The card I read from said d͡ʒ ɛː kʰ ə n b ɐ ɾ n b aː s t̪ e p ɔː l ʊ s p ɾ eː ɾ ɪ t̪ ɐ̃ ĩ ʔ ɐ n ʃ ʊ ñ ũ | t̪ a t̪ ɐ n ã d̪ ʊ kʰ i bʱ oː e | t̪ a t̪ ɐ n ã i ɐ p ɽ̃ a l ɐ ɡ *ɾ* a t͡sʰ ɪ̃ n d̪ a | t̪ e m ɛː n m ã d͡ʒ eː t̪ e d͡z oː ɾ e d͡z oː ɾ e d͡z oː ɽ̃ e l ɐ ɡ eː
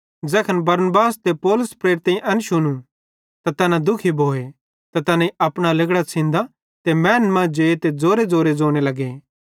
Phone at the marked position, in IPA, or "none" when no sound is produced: ɽ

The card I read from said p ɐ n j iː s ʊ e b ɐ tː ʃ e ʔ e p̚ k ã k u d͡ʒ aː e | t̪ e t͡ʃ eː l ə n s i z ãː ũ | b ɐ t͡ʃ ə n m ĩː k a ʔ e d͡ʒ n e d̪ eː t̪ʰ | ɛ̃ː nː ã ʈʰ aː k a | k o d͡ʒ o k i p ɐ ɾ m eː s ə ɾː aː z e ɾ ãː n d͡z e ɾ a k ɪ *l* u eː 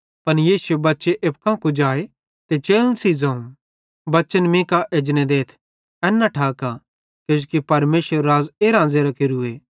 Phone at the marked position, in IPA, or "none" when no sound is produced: ɾ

